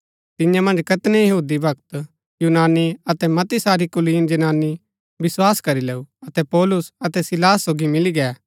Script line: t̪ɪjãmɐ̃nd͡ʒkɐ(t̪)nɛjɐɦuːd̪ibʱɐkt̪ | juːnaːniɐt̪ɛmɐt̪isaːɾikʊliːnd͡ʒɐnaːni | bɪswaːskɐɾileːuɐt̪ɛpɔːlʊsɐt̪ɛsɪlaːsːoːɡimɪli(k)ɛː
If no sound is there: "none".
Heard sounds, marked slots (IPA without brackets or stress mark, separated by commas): t̪, ɡ